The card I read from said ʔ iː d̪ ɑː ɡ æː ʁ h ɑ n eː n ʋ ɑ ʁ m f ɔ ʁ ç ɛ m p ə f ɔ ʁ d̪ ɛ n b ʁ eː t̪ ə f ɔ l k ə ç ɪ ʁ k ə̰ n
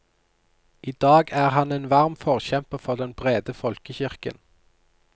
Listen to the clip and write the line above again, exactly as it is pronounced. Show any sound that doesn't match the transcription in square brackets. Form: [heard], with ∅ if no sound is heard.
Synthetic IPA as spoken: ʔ iː d̪ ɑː ɡ æː ʁ h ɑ n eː n ʋ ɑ ʁ m f ɔ ʁ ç ɛ m p ə f ɔ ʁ d̪ ɛ n b ʁ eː [d̪] ə f ɔ l k ə ç ɪ ʁ k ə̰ n